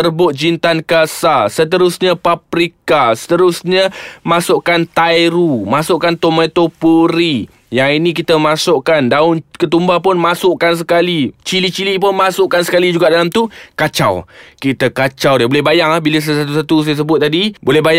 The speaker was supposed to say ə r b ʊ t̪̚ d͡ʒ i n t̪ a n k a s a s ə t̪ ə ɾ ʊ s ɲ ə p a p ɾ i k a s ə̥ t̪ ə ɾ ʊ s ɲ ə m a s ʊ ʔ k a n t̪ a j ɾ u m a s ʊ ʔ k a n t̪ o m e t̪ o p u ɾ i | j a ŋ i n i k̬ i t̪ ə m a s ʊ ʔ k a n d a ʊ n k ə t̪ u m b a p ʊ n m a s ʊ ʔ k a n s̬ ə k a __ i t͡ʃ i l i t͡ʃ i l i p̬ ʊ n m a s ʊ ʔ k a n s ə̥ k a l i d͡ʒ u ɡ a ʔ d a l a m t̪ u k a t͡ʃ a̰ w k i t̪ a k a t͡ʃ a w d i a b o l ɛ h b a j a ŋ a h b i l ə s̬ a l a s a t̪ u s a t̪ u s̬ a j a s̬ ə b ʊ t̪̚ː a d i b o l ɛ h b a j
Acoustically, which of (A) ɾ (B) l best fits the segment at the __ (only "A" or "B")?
B